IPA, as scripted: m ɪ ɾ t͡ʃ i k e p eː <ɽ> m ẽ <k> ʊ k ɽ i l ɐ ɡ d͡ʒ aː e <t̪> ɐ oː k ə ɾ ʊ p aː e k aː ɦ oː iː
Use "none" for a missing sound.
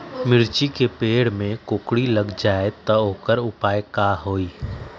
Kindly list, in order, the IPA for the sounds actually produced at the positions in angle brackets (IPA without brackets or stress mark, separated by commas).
ɽ, k, t̪